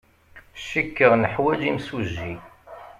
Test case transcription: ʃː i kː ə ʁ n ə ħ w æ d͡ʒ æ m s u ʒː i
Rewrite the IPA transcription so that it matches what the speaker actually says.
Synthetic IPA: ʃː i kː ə ʁ n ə ħ w æ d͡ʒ i m s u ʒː i